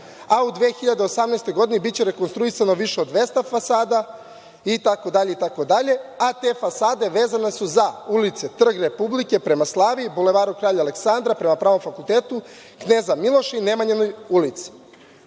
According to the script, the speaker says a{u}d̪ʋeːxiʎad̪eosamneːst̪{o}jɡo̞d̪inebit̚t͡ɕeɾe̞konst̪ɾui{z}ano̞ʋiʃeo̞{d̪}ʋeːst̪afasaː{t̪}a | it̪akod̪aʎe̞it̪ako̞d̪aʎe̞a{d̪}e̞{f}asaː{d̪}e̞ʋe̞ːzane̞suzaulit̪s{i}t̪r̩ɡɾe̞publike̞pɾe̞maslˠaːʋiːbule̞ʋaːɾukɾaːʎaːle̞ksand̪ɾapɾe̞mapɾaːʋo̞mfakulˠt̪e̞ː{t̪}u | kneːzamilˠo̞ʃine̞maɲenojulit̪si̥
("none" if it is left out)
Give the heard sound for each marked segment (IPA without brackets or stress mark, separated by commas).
u, o, s, d̪, d̪, t̪, f, d̪, e, t̪